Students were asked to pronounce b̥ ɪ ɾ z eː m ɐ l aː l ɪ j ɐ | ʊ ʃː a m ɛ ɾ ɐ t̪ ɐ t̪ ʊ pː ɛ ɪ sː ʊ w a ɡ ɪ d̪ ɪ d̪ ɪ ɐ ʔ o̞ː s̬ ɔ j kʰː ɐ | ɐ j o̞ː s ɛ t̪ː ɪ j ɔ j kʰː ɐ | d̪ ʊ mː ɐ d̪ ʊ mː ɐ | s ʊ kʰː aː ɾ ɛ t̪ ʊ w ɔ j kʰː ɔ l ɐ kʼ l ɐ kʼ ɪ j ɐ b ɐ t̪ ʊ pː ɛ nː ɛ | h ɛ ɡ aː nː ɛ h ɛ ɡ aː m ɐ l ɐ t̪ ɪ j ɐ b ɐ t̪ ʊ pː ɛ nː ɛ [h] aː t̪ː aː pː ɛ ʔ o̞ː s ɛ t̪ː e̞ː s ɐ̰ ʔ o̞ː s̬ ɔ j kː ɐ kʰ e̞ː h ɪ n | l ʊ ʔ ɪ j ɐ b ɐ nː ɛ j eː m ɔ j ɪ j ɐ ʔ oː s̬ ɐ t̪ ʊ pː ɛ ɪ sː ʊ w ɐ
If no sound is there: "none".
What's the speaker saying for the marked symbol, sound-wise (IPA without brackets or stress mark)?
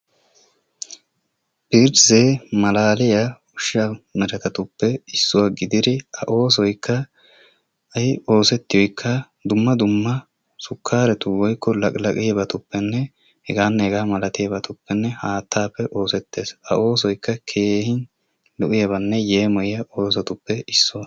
h